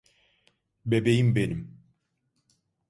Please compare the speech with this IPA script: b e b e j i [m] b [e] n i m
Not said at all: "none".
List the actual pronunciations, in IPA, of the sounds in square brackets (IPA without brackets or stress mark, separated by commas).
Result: m, e